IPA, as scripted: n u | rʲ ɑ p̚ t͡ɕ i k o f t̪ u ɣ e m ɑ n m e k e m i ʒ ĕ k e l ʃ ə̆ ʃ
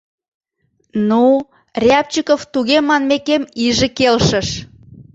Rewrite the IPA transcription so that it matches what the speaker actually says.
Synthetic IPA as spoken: n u | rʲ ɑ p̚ t͡ɕ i k o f t̪ u ɣ e m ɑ n m e k e m i ʒ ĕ k e l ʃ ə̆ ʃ